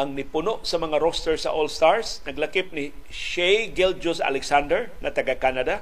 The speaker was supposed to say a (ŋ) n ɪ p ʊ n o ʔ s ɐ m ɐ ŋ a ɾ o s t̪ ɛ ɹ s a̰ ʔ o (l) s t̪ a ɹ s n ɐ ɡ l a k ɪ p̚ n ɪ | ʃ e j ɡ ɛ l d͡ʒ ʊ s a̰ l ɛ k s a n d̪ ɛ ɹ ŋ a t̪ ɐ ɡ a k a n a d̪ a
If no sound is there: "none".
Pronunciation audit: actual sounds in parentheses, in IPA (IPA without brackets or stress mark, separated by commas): ŋ, l